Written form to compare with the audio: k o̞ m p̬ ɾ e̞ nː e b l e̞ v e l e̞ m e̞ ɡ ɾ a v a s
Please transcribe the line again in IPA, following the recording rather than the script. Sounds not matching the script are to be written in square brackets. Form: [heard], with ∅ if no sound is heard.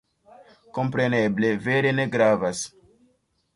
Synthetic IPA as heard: k o̞ m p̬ ɾ e̞ [n] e b l e̞ v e [ɾ] e̞ [n] e̞ ɡ ɾ a v a s